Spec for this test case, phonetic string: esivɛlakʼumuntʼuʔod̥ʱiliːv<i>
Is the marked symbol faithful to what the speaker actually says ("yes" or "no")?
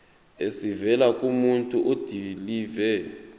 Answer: no